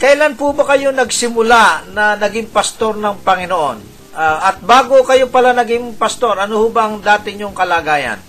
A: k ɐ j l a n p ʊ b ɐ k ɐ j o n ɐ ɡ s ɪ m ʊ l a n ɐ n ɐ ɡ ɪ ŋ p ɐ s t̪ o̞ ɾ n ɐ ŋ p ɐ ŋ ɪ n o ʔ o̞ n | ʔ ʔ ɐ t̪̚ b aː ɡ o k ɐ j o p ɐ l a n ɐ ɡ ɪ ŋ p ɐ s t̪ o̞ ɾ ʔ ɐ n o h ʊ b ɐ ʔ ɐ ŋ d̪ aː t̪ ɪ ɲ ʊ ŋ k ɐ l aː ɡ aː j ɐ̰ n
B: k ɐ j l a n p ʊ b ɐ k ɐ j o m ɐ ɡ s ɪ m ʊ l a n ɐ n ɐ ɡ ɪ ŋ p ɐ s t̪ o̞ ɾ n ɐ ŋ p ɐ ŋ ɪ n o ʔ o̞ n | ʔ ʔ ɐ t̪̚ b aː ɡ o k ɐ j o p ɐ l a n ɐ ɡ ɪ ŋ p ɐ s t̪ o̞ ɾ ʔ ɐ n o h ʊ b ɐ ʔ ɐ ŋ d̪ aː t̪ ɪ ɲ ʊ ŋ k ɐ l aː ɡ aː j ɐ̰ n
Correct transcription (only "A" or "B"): A